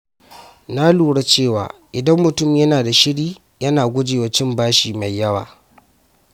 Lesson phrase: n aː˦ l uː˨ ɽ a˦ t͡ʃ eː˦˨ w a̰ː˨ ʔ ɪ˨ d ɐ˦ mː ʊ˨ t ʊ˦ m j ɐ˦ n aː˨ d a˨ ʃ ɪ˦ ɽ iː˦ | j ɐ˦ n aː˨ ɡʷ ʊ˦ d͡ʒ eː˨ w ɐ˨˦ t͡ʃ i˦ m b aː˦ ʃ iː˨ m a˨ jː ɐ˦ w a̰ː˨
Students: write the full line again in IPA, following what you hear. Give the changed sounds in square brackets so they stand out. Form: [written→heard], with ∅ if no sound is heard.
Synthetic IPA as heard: n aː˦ l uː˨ ɽ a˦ t͡ʃ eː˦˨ w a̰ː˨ ʔ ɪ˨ d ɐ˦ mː ʊ˨ t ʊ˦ m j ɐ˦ n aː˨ d a˨ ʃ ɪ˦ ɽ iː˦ | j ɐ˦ n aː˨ ɡʷ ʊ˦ d͡ʒ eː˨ w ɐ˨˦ t͡ʃ [i˦→ɪ˦] m b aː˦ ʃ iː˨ m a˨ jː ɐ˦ w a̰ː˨